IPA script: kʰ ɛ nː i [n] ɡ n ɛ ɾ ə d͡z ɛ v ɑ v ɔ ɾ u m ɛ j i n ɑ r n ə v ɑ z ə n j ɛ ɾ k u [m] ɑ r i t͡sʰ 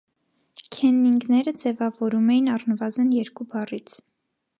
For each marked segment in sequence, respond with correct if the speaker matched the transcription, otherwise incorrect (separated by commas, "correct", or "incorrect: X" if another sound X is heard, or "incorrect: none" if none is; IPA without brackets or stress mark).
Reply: incorrect: ŋ, incorrect: b